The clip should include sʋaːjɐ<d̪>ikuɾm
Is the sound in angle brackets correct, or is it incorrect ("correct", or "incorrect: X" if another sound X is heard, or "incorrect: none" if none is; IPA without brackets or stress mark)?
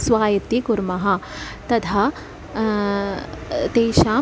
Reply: incorrect: t̪